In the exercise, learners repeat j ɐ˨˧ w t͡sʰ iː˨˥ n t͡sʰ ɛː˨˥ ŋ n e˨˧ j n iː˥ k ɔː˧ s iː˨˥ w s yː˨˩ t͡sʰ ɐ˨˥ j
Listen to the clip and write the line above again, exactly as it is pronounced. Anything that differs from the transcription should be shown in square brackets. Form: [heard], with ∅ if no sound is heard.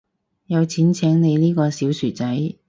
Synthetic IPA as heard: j ɐ˨˧ w t͡sʰ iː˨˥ n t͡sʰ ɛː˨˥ ŋ n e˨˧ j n iː˥ k ɔː˧ s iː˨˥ w s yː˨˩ [t͡s] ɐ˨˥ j